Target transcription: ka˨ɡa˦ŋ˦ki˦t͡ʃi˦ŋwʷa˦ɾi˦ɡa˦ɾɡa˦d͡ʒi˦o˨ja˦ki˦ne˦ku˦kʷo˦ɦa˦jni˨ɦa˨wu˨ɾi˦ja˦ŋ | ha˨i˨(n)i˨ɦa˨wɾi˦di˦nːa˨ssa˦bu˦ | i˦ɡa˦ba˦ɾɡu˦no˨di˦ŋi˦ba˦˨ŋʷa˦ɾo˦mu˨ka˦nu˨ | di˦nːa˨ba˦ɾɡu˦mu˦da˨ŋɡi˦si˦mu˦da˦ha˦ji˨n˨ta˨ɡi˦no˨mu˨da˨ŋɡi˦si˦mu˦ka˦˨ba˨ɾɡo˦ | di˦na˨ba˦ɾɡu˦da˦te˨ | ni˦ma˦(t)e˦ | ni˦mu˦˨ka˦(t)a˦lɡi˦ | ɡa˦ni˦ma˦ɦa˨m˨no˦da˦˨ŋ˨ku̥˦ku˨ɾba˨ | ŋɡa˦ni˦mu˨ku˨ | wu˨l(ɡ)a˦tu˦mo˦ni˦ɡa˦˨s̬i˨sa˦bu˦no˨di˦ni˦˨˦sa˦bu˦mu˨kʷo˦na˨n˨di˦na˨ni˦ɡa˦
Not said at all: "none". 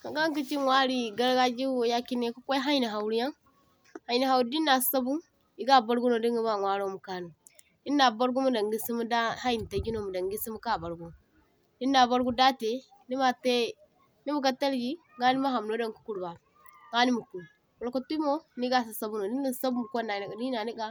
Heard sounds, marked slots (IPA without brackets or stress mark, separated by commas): n, t, t, k